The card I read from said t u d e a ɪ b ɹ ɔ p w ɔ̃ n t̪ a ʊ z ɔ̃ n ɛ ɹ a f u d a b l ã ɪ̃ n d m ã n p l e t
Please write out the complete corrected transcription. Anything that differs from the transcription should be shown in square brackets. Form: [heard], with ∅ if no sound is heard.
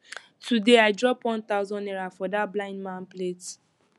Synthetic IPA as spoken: t u d e a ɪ [d] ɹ ɔ p w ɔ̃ n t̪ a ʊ z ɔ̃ n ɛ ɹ a f [ɔ] d a b l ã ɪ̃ n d m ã n p l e t